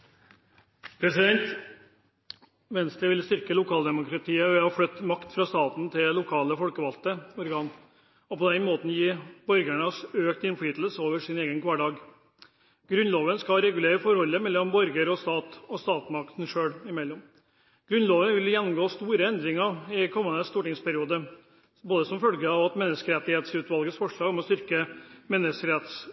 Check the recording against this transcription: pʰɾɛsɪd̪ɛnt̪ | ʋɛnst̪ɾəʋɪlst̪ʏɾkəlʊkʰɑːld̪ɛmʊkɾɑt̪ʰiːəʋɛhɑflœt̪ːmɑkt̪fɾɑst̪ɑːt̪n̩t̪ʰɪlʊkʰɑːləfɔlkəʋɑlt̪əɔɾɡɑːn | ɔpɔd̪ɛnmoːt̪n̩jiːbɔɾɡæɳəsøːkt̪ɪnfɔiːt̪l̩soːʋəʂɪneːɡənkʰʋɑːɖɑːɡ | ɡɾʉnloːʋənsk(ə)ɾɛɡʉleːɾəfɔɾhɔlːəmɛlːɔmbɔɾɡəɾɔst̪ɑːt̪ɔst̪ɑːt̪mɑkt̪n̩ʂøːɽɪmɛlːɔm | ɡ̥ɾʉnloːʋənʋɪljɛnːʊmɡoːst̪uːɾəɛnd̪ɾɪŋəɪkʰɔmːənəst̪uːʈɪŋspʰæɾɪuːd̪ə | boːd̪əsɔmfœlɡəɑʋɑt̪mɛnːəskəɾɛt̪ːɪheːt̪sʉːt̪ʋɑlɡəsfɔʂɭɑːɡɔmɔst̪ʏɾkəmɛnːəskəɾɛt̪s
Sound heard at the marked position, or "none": ɑ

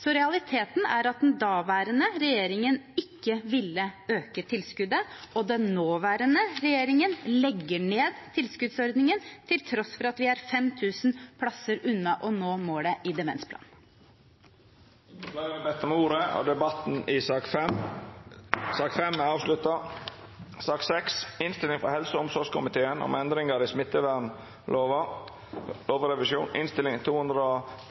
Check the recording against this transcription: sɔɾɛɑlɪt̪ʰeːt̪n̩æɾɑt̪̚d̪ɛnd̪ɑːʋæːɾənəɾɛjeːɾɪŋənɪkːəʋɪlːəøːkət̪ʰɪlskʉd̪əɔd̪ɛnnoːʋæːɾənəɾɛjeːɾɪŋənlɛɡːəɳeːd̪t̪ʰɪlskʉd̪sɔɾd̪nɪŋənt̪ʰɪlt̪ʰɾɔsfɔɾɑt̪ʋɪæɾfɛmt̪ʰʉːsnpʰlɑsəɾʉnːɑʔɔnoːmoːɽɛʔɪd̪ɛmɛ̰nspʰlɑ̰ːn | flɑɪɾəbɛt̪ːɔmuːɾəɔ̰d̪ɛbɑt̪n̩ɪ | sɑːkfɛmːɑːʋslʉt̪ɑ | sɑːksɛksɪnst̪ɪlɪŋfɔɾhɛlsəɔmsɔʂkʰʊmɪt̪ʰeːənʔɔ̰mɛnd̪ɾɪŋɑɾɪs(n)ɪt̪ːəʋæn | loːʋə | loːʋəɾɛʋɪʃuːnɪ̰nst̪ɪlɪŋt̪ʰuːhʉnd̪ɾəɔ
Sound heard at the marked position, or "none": m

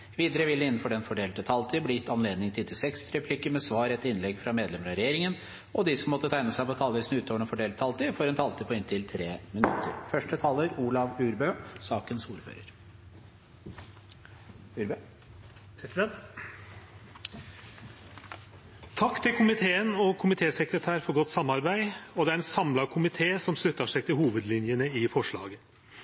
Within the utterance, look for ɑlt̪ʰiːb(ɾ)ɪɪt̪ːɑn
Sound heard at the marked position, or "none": l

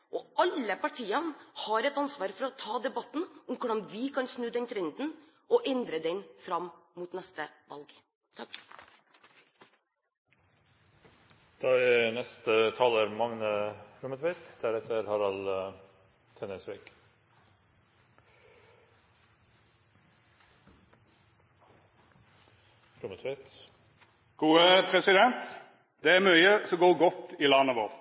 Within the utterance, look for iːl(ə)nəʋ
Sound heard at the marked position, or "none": ɑ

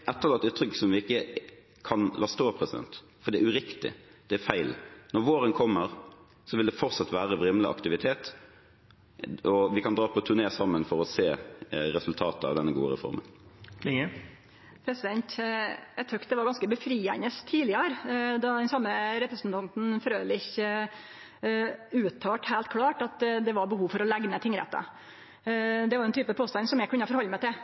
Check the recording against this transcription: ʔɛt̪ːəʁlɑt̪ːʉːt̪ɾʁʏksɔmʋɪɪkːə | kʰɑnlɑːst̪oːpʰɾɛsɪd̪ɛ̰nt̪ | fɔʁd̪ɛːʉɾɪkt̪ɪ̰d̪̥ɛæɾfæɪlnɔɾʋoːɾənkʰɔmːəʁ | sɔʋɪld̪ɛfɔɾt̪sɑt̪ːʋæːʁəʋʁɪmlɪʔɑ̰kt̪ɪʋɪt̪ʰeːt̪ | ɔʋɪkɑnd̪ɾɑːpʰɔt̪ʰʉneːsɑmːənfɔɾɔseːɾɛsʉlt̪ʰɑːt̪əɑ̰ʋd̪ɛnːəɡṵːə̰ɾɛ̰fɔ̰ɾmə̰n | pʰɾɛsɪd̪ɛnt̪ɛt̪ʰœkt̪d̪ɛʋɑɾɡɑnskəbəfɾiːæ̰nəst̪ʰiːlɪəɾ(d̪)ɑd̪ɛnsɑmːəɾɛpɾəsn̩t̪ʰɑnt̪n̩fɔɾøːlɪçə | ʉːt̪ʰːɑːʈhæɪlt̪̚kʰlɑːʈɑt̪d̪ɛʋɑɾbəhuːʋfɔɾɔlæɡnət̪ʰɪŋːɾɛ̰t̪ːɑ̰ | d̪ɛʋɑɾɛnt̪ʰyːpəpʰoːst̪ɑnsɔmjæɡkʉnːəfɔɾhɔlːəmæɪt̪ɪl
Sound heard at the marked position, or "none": d̪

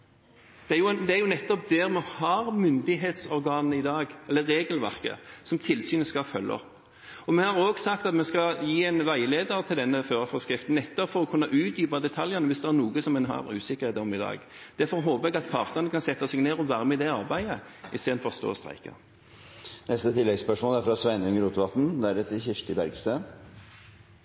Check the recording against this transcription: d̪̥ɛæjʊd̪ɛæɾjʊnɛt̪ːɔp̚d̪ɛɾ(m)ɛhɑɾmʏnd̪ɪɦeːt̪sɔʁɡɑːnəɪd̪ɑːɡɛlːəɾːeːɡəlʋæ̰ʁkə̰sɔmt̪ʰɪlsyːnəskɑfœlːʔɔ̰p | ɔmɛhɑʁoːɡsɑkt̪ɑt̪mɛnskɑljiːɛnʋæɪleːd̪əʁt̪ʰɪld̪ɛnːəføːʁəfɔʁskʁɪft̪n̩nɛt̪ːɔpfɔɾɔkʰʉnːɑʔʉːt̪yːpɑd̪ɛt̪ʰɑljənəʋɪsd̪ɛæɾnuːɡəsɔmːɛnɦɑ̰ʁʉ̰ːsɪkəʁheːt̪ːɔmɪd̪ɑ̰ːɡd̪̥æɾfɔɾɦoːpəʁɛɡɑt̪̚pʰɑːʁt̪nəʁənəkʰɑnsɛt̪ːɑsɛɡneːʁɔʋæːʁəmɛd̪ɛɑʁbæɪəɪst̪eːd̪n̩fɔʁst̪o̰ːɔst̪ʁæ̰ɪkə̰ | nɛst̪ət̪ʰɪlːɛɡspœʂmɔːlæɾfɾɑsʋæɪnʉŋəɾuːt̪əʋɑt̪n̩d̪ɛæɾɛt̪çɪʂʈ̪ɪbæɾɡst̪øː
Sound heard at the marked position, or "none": m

